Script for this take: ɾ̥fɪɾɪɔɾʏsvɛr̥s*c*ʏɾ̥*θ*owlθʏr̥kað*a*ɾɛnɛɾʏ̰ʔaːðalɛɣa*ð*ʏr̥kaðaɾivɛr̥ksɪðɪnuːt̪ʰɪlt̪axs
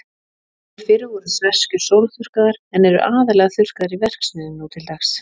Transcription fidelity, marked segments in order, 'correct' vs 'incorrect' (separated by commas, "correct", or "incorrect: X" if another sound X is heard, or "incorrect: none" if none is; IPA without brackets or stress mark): correct, incorrect: s, correct, incorrect: θ